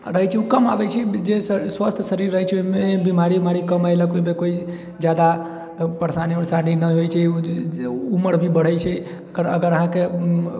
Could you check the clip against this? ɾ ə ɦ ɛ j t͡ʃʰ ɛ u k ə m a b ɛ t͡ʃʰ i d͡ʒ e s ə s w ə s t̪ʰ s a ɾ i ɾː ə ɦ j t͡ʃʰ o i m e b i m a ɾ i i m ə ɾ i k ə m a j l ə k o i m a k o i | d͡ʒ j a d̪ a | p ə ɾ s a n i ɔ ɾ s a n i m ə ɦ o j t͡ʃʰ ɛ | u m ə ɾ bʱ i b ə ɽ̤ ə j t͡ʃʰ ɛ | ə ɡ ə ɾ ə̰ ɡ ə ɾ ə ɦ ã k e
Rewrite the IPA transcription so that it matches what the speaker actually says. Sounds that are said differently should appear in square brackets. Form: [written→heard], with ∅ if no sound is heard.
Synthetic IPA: ɾ ə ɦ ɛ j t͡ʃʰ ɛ u k ə m a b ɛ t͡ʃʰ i d͡ʒ e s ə s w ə s t̪ʰ s [a→ə] ɾ i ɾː ə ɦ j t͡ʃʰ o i m e b i m a ɾ i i m [ə→a] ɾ i k ə m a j l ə k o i m [a→e] k o i | d͡ʒ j a d̪ a | p ə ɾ s a n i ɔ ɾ s a n i [m→n] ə ɦ o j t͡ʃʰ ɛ | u m ə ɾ bʱ i b ə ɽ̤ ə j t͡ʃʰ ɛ | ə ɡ ə ɾ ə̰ ɡ ə ɾ ə ɦ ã k e